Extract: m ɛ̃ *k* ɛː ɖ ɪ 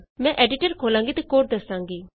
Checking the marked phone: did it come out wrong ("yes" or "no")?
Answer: yes